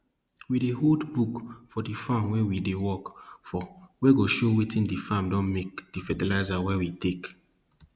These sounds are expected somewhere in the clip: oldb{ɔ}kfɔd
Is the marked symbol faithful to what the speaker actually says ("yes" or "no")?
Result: no